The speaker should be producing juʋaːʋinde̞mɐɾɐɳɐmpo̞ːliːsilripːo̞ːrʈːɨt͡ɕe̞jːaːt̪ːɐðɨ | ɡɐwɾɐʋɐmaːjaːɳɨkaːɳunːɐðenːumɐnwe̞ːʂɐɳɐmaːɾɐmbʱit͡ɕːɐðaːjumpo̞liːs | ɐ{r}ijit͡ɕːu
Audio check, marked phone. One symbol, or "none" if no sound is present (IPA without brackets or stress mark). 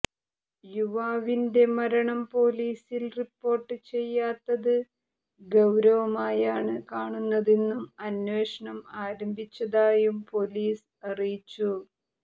r